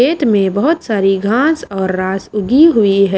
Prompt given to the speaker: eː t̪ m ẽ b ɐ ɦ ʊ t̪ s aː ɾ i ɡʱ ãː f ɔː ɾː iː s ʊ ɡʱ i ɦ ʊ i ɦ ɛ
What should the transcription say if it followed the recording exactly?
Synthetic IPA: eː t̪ m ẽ b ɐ ɦ ʊ t̪ s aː ɾ i ɡʱ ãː s ɔː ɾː aː s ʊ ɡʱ i ɦ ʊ i ɦ ɛ